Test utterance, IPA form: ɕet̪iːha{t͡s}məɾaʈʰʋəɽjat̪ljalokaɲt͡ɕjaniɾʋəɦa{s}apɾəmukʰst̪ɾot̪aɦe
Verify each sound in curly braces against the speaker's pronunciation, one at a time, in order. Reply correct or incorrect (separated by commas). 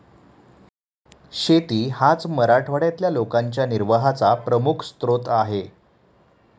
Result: correct, incorrect